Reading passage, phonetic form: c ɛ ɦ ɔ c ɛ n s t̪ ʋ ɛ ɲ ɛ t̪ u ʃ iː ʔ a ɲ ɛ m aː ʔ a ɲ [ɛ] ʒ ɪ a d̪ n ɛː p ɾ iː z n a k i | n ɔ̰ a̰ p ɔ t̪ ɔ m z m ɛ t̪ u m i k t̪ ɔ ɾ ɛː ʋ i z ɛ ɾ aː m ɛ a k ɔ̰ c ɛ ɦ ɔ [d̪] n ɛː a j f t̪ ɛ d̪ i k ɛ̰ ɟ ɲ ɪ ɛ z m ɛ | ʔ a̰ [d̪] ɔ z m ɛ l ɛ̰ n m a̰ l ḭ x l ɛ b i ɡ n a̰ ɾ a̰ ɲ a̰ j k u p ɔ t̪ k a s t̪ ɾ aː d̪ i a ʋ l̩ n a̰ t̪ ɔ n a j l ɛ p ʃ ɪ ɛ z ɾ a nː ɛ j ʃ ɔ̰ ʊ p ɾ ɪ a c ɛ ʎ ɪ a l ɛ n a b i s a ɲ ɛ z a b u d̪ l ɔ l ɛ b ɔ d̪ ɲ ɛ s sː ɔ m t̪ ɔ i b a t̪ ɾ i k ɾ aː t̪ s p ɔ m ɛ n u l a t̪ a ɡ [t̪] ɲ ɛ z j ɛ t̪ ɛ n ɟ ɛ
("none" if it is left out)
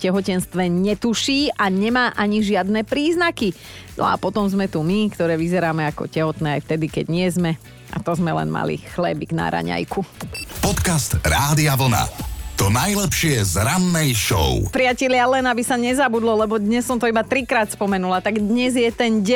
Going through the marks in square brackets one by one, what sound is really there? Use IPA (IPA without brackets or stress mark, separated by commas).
i, t̪, t̪, d̪